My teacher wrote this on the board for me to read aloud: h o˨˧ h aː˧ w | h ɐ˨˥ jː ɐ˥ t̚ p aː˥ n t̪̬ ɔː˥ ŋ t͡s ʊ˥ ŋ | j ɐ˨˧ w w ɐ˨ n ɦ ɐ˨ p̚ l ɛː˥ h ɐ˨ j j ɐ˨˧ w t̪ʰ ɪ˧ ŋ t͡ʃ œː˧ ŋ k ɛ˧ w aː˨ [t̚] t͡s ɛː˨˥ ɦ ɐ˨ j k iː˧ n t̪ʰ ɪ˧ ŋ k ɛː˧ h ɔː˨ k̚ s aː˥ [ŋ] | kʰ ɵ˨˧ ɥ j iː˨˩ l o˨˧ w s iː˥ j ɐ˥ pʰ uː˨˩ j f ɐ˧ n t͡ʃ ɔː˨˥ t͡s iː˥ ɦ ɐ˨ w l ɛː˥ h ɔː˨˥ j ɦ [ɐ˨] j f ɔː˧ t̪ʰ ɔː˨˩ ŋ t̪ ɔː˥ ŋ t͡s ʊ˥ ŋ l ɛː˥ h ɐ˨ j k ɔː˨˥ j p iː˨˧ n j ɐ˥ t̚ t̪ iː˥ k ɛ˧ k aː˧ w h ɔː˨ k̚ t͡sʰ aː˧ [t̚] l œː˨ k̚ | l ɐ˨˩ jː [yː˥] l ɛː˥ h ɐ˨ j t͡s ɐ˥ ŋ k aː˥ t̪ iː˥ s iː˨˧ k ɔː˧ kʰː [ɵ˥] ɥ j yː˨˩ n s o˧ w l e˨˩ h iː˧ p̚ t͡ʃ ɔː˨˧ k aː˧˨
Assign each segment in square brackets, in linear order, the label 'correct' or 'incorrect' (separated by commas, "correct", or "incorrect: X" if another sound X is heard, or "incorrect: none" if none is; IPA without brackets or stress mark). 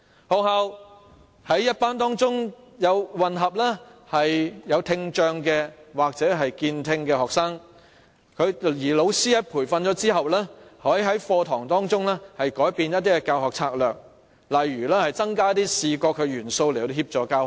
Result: incorrect: k̚, correct, incorrect: ɐ˨˥, incorrect: k̚, incorrect: yː˨˩, incorrect: ɵ˨˧